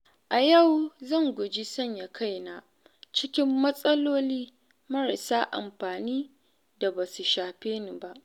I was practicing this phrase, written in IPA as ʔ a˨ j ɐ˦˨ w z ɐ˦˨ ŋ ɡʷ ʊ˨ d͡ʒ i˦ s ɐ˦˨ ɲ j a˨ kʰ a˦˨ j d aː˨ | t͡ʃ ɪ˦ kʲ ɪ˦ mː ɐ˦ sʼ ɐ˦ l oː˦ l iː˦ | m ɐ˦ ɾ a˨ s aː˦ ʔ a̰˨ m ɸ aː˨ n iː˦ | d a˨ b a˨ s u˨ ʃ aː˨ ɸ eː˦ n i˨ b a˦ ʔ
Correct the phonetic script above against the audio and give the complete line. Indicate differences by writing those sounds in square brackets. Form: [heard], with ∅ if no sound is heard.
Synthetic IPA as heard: ʔ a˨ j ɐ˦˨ w z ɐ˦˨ ŋ ɡʷ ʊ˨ d͡ʒ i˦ s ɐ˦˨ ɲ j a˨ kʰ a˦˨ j [n] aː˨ | t͡ʃ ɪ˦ kʲ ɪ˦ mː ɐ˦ sʼ ɐ˦ l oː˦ l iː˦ | m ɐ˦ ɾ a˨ s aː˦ ʔ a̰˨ m ɸ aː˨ n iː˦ | d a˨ b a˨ s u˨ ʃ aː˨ ɸ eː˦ n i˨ b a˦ ʔ